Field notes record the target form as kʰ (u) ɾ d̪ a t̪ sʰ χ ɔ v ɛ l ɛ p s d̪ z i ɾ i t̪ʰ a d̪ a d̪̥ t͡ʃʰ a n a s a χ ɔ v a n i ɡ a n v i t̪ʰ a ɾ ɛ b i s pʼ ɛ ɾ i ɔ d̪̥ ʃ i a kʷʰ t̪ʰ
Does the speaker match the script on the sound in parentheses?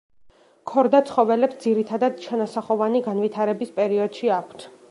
no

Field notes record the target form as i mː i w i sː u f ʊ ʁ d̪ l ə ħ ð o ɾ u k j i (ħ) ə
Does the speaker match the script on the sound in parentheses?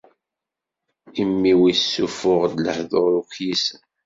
no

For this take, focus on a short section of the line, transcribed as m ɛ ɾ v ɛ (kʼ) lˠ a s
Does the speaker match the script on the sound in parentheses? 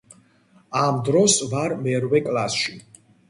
yes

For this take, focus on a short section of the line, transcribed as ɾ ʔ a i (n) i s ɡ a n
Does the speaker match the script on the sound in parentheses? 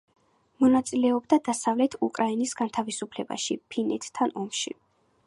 yes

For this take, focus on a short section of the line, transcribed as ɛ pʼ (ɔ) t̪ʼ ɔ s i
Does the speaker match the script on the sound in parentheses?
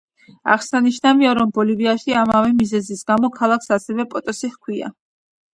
yes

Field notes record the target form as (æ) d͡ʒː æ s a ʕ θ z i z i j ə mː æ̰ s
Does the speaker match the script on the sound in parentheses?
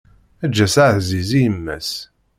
yes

